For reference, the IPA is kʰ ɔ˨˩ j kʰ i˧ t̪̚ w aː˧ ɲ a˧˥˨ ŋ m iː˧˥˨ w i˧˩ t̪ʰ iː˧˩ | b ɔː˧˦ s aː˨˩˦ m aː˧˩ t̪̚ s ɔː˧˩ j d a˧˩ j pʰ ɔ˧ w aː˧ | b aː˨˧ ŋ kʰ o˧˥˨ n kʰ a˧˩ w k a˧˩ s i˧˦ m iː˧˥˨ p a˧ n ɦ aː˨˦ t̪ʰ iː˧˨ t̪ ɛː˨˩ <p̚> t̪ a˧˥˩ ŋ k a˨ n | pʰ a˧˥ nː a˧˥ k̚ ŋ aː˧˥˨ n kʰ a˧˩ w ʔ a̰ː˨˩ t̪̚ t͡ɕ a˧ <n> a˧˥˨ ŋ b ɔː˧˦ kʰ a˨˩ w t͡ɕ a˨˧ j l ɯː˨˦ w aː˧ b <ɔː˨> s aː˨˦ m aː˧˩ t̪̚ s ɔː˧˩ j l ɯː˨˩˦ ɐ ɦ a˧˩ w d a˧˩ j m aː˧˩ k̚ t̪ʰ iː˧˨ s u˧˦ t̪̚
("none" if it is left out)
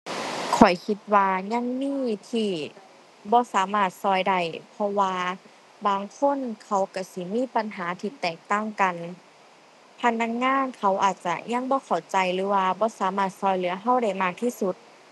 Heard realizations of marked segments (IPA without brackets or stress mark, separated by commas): k̚, ɲ, ɔː˧˦